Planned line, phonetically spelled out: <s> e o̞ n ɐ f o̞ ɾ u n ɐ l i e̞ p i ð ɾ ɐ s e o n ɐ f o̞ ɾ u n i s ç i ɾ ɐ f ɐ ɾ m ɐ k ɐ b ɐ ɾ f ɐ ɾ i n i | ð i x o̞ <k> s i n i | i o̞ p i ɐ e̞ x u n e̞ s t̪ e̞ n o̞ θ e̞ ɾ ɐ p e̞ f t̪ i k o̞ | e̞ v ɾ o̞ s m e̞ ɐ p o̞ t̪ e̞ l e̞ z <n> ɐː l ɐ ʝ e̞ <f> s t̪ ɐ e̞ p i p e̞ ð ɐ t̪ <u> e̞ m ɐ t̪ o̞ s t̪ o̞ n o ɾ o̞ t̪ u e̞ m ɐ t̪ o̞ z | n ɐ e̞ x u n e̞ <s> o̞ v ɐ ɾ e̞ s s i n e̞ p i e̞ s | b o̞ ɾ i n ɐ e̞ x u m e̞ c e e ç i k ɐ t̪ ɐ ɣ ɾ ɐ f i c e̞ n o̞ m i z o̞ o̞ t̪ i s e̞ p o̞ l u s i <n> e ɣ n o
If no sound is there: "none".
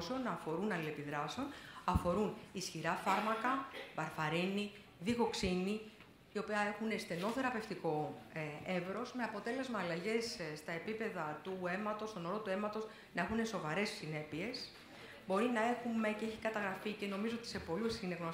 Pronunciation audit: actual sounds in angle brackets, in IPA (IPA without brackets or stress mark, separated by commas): s, k, m, s, u, s, n